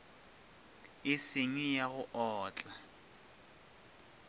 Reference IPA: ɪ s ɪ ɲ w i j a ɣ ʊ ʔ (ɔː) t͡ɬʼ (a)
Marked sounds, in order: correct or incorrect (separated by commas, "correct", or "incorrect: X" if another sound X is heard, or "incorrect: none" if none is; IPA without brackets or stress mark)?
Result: correct, correct